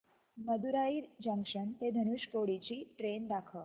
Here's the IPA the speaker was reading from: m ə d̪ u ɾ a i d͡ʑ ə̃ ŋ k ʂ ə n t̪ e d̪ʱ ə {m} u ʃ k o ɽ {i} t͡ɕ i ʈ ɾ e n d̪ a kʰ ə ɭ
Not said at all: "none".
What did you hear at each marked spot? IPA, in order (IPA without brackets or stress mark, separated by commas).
n, i